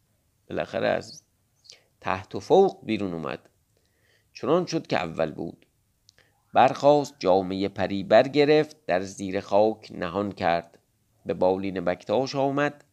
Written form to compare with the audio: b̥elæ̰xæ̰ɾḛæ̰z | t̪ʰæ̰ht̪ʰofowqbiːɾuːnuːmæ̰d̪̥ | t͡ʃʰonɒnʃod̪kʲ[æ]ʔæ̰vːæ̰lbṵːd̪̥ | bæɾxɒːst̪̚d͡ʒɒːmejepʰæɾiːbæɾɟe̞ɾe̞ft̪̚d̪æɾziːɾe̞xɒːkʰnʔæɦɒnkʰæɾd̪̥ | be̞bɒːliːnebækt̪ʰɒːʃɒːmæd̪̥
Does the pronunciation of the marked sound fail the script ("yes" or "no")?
yes